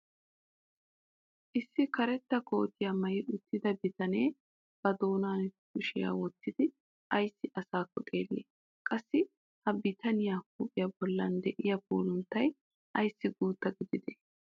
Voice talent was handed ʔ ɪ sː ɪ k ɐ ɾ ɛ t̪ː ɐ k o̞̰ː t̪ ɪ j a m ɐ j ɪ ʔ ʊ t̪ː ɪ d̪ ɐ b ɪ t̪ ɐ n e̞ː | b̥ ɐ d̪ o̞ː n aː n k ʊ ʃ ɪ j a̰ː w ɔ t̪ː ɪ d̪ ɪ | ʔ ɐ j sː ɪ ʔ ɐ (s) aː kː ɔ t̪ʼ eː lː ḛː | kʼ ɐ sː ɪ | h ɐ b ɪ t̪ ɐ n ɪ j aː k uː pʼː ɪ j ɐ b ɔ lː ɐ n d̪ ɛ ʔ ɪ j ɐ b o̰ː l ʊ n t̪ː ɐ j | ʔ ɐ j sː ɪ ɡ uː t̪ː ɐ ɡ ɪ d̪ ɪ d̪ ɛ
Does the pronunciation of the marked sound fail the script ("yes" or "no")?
no